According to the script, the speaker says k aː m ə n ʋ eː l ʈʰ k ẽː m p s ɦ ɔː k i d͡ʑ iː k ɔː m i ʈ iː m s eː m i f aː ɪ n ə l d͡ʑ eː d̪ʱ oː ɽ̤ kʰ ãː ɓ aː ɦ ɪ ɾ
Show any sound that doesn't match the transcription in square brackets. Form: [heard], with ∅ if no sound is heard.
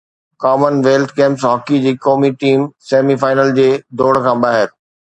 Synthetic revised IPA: k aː m ə n ʋ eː l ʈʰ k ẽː m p s ɦ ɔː k i d͡ʑ iː k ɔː m i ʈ iː m s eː m i f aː ɪ n ə l d͡ʑ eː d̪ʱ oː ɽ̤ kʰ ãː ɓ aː ɦ ɪ ɾ